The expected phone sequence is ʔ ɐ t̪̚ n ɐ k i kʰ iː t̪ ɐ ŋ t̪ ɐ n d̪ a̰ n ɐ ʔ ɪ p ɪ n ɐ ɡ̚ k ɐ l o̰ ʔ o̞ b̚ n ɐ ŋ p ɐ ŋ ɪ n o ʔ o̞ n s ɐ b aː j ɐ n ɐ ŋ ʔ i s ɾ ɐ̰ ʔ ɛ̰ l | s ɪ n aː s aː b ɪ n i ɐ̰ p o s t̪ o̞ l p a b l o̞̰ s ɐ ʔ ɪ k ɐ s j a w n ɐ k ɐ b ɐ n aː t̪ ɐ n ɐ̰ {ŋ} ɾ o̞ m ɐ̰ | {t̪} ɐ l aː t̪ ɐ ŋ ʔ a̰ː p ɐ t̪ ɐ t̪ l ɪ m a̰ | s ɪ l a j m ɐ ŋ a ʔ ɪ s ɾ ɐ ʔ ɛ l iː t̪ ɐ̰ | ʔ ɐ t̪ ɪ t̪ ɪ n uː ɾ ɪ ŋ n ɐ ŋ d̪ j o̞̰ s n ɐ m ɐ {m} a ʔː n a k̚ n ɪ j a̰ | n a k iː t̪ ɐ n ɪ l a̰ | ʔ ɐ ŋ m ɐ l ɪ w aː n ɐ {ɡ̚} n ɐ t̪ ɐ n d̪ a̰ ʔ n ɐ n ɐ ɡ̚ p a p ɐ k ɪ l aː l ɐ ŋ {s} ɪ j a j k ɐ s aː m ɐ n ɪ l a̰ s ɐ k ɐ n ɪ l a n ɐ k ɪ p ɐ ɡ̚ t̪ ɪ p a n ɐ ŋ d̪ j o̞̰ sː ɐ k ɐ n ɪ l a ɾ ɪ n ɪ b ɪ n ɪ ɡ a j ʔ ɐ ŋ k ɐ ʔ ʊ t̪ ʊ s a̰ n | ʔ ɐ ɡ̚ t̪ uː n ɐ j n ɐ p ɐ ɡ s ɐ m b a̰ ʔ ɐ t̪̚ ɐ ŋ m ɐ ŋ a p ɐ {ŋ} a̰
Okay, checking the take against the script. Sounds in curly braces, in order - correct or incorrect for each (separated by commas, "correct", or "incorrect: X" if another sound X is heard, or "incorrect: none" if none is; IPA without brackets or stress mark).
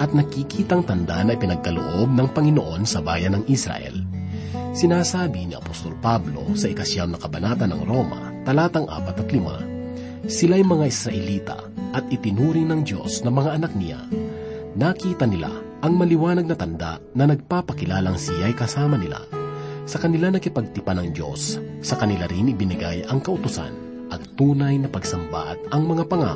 correct, correct, incorrect: ŋ, correct, correct, correct